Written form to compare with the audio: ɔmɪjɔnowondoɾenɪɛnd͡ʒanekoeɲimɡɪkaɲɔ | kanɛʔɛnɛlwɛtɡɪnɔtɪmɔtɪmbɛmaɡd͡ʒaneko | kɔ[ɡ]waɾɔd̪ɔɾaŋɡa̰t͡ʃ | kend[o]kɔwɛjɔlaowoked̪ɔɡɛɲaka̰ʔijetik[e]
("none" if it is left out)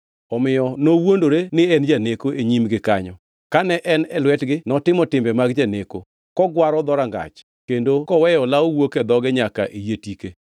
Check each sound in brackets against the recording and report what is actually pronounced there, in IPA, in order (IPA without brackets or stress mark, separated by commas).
ɡ, o, e